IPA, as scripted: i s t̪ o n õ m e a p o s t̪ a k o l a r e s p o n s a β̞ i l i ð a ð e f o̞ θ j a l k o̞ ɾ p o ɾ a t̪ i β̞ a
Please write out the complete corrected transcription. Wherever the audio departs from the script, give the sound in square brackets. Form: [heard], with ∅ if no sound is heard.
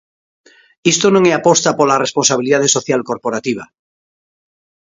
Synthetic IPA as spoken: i s t̪ o n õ [ŋ] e a p o s t̪ a [p] o l a r e s p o n s a β̞ i l i ð a ð e [s] o̞ θ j a l k o̞ ɾ p o ɾ a t̪ i β̞ a